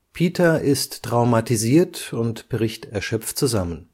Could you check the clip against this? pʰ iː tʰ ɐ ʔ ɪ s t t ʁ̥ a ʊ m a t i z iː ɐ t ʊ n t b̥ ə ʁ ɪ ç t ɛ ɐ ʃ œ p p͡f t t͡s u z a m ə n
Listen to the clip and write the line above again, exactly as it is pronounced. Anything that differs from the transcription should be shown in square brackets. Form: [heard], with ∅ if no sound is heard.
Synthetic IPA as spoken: pʰ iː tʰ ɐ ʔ ɪ s t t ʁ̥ a ʊ m a t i z iː ɐ t ʊ n t b̥ ə ʁ ɪ ç t ɛ ɐ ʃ œ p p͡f t t͡s u z a m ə n